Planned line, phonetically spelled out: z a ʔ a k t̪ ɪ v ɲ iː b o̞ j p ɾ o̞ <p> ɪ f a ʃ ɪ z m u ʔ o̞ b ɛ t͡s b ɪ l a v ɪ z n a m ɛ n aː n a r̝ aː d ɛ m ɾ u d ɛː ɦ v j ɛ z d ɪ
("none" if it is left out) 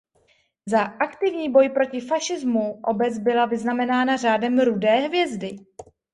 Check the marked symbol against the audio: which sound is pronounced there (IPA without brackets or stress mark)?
c